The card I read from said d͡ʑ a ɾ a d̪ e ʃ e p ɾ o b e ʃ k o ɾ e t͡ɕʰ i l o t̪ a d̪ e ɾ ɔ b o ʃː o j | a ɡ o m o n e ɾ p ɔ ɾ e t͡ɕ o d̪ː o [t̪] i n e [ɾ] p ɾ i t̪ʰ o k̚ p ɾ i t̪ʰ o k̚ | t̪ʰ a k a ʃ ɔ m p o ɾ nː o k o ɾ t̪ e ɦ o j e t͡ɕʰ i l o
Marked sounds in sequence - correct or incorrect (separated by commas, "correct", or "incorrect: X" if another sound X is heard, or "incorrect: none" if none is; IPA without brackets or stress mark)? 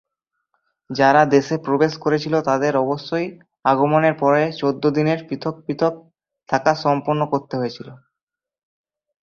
incorrect: d̪, correct